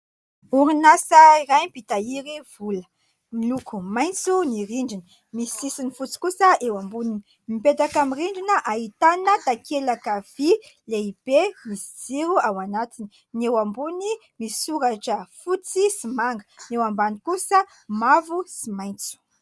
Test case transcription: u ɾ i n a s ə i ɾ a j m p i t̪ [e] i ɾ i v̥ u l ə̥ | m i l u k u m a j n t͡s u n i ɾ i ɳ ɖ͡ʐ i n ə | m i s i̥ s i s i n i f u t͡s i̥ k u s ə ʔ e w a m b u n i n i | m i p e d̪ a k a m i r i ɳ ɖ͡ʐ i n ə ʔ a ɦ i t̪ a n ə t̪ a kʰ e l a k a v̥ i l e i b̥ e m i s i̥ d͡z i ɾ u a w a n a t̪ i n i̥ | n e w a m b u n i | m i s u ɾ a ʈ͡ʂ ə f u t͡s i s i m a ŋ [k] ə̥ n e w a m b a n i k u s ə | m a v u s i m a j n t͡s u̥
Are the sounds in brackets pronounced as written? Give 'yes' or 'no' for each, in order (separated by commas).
no, no